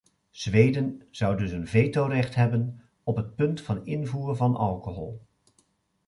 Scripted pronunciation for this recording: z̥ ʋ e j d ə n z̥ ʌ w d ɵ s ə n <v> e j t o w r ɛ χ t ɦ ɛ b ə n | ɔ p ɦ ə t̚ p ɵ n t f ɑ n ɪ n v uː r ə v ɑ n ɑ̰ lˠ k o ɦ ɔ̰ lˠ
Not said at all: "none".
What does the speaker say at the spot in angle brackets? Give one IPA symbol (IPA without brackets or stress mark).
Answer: v